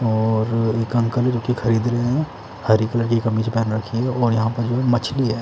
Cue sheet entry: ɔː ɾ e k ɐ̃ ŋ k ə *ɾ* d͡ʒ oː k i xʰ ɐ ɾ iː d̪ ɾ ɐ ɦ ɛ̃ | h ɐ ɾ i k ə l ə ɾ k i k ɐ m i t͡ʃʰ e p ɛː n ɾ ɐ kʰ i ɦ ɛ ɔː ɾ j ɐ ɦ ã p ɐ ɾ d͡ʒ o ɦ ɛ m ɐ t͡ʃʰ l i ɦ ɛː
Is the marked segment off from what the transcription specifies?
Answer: yes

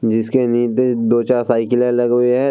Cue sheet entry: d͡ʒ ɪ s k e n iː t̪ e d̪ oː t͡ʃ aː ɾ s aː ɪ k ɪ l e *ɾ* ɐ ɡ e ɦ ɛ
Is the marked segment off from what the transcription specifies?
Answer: yes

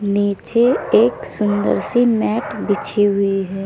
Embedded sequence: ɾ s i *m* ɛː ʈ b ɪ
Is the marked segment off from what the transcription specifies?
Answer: no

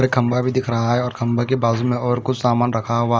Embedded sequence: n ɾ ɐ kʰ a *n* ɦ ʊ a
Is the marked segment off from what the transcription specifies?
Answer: yes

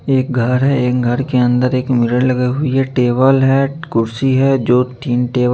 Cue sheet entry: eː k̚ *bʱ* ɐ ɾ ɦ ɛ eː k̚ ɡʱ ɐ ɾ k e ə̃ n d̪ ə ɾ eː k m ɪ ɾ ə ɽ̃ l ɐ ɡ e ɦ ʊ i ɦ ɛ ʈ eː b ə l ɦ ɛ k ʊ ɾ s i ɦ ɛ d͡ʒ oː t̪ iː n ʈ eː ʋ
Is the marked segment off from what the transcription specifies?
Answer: yes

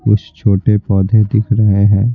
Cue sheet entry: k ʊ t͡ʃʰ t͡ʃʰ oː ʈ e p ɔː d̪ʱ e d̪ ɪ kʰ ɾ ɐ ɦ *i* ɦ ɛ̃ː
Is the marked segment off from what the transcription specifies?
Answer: yes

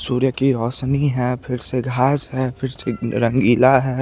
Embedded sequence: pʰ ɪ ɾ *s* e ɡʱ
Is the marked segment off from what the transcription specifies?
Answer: no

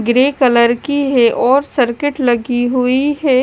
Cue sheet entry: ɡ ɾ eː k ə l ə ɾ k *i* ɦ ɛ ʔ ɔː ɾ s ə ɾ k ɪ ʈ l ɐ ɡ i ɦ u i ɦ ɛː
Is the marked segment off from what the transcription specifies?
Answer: no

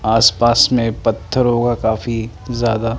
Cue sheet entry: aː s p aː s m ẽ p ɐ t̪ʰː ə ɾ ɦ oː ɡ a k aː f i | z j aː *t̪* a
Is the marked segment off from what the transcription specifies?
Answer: yes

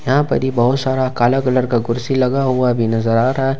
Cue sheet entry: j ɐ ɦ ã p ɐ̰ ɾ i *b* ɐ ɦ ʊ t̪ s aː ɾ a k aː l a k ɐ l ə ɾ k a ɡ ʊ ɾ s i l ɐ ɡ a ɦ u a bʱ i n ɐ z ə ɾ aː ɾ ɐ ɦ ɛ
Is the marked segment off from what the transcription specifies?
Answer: no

